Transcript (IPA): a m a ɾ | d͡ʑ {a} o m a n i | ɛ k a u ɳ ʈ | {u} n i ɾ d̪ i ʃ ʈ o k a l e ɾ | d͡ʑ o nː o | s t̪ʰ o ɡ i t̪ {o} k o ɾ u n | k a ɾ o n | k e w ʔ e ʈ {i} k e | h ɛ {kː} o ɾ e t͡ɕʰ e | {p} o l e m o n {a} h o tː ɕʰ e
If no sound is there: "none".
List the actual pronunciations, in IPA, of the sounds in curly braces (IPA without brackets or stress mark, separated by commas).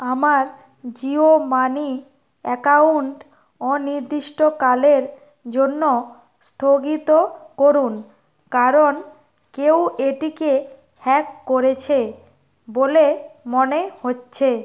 i, ɔ, o, i, kː, b, e